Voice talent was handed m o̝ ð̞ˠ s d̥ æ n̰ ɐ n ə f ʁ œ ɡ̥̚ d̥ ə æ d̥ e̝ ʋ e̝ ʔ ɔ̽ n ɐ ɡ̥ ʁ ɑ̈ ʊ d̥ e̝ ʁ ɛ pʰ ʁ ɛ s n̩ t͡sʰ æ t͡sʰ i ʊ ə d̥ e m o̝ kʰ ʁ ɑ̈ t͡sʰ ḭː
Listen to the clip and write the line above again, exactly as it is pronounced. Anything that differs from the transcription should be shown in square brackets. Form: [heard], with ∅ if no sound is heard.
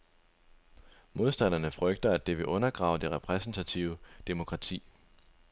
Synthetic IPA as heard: m o̝ ð̞ˠ s d̥ æ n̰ ɐ n ə f ʁ œ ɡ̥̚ d̥ [ɐ] æ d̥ e̝ ʋ e̝ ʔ ɔ̽ n ɐ ɡ̥ ʁ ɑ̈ ʊ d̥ e̝ ʁ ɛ pʰ ʁ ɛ s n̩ t͡sʰ æ t͡sʰ i ʊ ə d̥ e m o̝ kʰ ʁ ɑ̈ t͡sʰ ḭː

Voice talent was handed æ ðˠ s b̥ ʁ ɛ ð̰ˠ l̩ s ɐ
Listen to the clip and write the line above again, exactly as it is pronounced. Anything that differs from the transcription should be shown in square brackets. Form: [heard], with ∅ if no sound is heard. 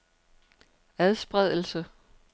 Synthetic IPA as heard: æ ðˠ s b̥ ʁ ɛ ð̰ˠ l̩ s [ə]

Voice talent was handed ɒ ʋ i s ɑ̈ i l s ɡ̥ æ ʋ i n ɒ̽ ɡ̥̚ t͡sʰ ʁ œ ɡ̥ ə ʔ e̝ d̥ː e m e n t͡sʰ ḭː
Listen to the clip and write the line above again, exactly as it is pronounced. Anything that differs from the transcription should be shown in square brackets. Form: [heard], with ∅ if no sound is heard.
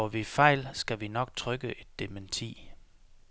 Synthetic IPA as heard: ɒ ʋ i [f] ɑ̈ [ɪ] l s ɡ̥ æ ʋ i n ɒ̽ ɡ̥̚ t͡sʰ ʁ œ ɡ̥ ə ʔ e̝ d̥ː e m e n t͡sʰ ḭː

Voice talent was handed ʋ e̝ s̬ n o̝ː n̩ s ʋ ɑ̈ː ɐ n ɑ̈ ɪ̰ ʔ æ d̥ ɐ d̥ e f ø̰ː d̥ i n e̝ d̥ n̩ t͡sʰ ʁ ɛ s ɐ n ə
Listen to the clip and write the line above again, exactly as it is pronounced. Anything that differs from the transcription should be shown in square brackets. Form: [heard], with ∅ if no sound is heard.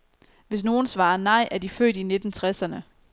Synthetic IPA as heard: ʋ e̝ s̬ n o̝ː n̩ s ʋ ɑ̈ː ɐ n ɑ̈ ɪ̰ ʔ æ [∅] ɐ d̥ [i] f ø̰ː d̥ i n e̝ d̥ n̩ t͡sʰ ʁ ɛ s ɐ n ə

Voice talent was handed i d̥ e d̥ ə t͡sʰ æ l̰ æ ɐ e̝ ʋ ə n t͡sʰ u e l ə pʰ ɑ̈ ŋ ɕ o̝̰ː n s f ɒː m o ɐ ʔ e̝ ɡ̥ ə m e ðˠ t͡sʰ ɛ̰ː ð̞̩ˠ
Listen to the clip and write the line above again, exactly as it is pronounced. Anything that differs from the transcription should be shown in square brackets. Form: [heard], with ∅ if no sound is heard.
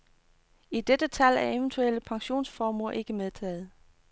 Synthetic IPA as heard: i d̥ e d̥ ə t͡sʰ æ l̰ æ ɐ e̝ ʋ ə n t͡sʰ u e l ə pʰ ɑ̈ ŋ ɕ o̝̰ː n s f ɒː m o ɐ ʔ e̝ ɡ̥ ə m e ðˠ t͡sʰ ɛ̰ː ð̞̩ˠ

